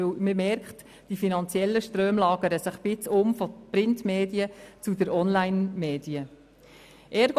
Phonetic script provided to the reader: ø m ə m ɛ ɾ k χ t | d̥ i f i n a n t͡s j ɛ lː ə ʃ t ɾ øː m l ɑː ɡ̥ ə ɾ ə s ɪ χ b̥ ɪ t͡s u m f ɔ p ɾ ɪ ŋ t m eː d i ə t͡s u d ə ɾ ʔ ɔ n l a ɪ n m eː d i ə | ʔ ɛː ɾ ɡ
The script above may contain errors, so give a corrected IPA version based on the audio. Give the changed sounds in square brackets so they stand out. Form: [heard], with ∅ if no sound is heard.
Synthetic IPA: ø m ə m ɛ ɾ k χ t | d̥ i f i n [ɑ] n t͡s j ɛ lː ə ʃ t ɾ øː m l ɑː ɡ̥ ə ɾ ə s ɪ χ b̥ ɪ t͡s [ʊ] m f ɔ p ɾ ɪ [n] t m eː d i ə t͡s u d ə ɾ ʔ ɔ n l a ɪ n m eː d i ə | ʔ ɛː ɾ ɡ